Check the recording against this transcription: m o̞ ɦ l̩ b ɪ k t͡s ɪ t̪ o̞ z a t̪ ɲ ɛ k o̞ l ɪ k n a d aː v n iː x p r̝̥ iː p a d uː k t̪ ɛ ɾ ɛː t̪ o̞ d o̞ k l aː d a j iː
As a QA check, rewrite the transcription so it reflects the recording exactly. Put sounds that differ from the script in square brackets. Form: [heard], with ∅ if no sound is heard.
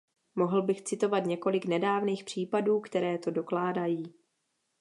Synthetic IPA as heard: m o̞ ɦ l̩ b ɪ [x] t͡s ɪ t̪ o̞ [v] a t̪ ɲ ɛ k o̞ l ɪ k n [ɛ] d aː v n iː x p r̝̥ iː p a d uː k t̪ ɛ ɾ ɛː t̪ o̞ d o̞ k l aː d a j iː